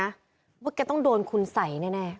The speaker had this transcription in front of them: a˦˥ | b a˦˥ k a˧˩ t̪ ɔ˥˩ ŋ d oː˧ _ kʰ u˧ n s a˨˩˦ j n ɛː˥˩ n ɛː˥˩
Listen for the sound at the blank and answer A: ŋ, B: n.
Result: B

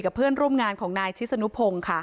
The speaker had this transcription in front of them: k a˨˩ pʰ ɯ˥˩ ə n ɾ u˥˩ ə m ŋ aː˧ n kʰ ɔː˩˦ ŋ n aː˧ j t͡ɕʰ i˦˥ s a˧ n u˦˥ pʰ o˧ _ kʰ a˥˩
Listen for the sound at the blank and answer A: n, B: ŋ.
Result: B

